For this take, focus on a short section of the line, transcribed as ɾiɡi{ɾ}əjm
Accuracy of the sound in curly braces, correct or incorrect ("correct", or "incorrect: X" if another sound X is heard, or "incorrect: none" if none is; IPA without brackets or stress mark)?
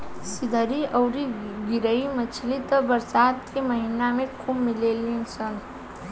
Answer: correct